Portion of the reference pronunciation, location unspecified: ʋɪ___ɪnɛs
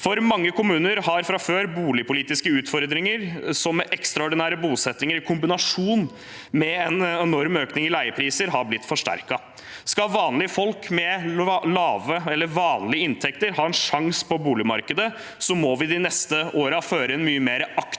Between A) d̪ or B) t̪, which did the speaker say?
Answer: A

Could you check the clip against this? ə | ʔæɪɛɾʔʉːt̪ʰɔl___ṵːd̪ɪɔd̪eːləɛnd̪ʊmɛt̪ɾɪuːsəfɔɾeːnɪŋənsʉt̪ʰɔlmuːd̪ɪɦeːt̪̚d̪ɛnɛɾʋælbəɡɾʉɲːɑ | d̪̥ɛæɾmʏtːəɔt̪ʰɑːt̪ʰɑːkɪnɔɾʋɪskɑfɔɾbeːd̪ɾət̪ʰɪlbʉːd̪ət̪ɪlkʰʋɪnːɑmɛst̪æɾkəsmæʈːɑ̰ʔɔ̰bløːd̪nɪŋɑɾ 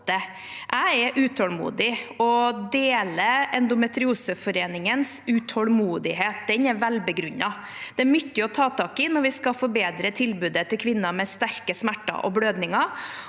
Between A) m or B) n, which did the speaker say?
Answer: A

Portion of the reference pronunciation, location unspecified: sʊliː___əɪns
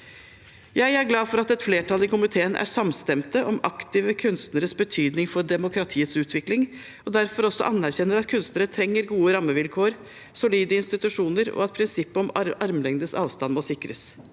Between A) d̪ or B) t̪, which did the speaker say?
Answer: A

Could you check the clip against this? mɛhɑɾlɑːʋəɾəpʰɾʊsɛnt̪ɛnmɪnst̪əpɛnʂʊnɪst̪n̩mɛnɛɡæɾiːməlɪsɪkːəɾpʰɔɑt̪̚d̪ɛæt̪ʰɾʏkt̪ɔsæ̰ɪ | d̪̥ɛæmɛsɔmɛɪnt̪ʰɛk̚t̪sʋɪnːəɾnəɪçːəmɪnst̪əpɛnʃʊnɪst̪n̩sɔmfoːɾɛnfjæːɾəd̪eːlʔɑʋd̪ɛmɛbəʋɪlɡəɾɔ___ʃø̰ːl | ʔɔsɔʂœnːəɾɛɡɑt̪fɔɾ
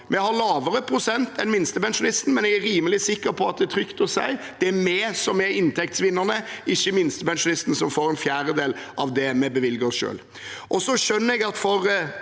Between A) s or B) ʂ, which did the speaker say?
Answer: A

